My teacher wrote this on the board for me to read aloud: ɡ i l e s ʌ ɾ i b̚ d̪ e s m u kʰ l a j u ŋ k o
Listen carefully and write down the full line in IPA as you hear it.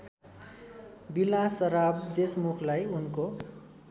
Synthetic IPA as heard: b i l a s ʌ ɾ a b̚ d̪ e s m u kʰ l a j u n k o